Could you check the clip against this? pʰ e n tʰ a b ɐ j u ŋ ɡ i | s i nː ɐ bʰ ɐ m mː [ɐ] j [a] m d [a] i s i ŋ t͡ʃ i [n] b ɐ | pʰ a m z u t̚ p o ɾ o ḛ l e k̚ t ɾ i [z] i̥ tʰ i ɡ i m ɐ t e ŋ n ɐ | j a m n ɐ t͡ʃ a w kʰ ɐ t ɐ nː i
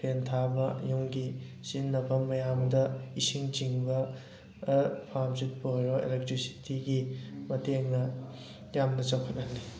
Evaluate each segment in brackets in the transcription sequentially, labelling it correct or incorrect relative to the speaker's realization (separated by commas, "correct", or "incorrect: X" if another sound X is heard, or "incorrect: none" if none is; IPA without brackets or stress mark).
correct, correct, incorrect: ɐ, incorrect: ŋ, incorrect: s